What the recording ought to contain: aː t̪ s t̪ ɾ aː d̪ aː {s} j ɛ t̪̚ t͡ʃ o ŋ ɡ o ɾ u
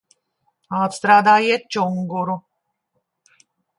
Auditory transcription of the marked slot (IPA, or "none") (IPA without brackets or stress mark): none